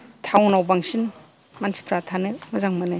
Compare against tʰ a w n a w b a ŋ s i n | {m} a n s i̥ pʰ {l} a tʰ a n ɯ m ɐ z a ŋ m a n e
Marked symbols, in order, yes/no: yes, no

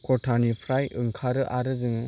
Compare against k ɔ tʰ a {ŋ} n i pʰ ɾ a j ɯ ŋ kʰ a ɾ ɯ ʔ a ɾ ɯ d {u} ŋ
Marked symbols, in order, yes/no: no, no

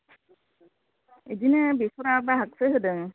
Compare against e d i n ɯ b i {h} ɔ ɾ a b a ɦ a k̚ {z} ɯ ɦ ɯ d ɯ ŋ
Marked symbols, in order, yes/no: no, no

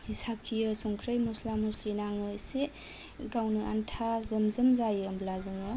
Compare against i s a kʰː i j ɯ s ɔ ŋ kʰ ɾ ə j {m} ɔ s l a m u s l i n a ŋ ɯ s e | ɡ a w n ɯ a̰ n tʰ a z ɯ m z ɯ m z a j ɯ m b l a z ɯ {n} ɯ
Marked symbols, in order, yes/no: yes, no

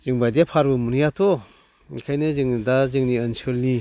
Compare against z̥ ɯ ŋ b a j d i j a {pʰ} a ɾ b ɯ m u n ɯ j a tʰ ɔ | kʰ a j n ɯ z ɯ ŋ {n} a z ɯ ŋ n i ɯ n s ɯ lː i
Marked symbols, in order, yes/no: yes, no

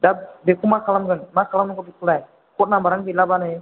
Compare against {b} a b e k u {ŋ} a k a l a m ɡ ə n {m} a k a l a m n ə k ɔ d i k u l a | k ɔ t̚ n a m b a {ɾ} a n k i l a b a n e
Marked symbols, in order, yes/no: no, no, yes, yes

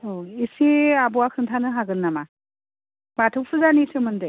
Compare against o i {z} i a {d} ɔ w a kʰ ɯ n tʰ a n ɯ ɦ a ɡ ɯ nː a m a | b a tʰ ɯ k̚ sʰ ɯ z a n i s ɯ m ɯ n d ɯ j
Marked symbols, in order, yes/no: no, no

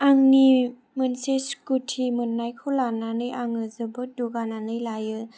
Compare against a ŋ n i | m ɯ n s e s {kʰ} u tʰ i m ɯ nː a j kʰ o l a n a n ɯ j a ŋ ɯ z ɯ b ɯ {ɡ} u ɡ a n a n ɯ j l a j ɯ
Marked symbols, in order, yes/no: no, no

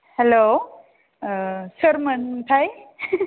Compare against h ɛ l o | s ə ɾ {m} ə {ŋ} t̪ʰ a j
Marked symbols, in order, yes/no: yes, no

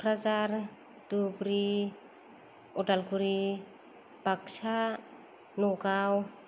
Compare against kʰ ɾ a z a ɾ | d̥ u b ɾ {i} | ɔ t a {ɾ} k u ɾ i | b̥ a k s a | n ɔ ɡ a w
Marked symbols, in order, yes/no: yes, no

